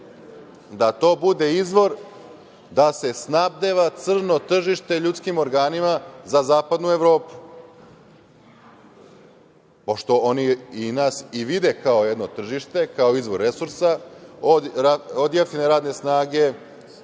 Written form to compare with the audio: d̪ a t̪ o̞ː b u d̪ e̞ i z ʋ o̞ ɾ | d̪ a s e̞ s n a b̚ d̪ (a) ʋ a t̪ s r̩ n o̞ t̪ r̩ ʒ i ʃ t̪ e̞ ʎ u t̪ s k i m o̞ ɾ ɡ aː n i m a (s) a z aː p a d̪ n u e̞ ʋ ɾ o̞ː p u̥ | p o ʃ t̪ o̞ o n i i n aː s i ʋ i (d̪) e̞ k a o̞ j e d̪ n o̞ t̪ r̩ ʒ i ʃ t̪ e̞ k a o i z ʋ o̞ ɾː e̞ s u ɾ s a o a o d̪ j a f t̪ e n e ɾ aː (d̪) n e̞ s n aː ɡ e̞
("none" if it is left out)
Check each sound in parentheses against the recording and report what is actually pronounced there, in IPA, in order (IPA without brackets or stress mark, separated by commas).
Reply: e, z, d̪, d̪